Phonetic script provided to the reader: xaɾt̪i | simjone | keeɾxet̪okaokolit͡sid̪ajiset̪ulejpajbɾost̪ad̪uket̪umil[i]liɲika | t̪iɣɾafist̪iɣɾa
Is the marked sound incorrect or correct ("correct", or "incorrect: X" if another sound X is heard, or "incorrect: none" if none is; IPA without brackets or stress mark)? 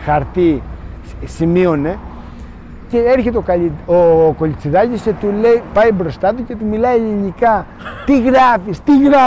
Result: incorrect: a